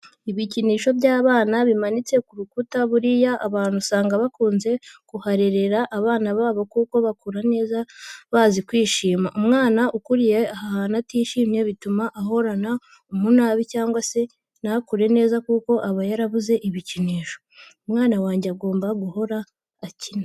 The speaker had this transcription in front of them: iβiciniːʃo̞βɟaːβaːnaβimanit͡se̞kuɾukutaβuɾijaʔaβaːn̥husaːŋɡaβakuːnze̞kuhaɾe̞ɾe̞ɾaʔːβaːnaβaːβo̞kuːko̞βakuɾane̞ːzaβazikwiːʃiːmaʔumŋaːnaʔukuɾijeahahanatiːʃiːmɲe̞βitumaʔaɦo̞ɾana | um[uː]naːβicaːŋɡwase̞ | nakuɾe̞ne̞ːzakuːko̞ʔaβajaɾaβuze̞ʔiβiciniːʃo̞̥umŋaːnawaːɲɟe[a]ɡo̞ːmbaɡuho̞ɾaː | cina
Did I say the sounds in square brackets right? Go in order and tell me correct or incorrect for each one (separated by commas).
incorrect, correct